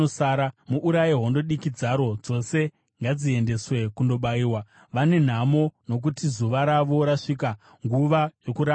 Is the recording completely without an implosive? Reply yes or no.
no